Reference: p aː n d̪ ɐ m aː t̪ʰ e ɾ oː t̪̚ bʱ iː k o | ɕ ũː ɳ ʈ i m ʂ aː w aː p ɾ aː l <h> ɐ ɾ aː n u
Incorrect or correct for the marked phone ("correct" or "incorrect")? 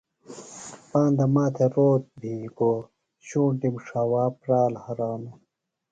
correct